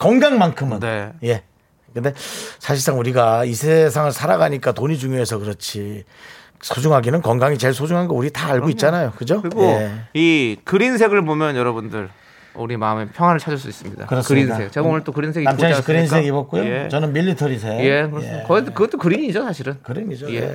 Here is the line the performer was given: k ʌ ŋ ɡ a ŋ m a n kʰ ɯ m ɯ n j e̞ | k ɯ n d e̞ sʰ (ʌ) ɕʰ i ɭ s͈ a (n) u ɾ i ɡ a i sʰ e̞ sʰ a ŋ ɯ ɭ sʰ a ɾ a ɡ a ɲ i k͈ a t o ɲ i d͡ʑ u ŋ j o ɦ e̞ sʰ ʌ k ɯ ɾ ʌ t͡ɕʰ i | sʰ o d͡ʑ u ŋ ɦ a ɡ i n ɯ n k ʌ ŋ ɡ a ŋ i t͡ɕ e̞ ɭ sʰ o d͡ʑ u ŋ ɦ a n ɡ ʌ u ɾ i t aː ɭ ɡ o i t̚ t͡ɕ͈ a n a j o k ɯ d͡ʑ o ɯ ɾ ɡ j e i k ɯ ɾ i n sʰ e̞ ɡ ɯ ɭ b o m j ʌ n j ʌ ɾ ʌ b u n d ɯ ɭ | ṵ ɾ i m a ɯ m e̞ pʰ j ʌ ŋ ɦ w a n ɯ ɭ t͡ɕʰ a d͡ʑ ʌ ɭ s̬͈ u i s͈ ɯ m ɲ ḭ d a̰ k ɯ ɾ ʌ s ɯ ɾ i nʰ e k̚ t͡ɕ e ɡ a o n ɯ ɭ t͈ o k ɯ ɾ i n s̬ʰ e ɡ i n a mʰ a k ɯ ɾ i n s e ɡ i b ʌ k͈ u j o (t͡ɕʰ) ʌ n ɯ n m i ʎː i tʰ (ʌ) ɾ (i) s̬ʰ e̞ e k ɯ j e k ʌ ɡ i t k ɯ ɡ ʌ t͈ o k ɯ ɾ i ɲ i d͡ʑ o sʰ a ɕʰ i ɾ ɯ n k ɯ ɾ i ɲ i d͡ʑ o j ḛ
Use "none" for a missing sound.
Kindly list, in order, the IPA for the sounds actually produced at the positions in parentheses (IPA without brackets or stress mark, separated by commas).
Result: a, ŋ, t͡ɕ, ʌ, i